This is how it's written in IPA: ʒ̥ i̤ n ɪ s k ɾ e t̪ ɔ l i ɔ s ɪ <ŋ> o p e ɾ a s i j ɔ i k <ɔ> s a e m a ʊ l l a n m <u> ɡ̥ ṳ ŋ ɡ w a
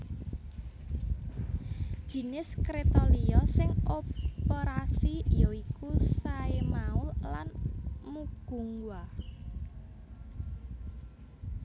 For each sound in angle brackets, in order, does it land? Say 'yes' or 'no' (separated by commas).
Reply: yes, no, yes